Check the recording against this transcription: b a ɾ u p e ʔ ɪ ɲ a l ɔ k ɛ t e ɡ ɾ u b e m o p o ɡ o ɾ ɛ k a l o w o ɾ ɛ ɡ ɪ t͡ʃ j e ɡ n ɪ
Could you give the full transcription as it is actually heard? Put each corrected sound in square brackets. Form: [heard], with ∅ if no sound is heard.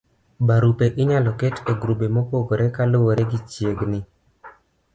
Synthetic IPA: b a ɾ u p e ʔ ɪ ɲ a l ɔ k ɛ t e ɡ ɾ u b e m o p o ɡ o ɾ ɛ k a l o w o ɾ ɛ ɡ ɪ t͡ʃ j e ɡ n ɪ